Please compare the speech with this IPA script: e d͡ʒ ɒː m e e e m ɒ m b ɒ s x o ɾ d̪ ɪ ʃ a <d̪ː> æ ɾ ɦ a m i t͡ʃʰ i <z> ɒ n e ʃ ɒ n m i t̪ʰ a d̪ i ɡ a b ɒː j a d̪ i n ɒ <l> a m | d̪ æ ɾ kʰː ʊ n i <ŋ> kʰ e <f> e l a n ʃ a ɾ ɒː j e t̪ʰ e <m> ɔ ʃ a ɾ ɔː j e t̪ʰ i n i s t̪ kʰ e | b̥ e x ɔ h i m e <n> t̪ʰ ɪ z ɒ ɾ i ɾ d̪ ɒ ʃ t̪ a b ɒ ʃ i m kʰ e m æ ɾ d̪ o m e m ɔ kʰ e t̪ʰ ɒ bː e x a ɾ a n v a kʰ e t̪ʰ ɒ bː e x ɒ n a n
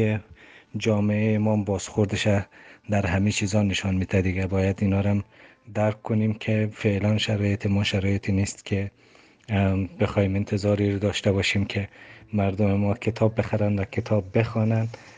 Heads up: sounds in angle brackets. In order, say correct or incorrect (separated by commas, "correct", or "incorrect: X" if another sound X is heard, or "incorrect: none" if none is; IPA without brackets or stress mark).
incorrect: d̪, correct, incorrect: ɾ, incorrect: m, correct, correct, correct